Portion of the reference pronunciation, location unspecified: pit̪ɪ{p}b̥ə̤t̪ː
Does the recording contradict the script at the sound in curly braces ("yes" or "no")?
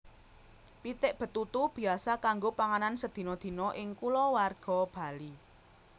yes